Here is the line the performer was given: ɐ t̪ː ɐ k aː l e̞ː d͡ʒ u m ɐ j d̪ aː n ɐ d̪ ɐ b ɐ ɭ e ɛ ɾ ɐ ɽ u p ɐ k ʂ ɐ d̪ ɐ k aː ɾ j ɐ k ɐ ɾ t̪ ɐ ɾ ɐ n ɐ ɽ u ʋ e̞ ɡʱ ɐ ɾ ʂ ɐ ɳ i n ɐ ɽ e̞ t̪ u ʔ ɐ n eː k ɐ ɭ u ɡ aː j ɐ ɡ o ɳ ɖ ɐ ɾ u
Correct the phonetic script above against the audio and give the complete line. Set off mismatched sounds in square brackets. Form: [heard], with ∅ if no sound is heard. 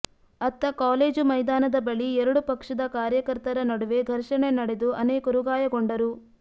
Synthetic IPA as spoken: ɐ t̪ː ɐ k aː l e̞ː d͡ʒ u m ɐ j d̪ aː n ɐ d̪ ɐ b ɐ ɭ [i] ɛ ɾ ɐ ɽ u p ɐ k ʂ ɐ d̪ ɐ k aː ɾ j ɐ k ɐ ɾ t̪ ɐ ɾ ɐ n ɐ ɽ u ʋ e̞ ɡʱ ɐ ɾ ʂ ɐ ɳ [e] n ɐ ɽ e̞ [d̪] u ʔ ɐ n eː k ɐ [ɾ] u ɡ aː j ɐ ɡ o ɳ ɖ ɐ ɾ u